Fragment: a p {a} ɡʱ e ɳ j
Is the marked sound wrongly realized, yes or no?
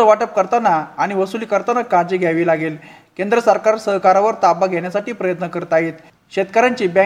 no